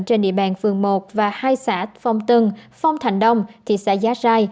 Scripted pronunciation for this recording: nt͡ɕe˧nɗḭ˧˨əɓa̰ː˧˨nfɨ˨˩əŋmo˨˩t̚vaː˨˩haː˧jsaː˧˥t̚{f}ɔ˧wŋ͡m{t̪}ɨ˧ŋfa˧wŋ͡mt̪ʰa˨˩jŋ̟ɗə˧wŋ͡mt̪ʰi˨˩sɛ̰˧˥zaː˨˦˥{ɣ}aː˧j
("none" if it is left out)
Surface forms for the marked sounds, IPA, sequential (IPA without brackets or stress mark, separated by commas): f, t̪, z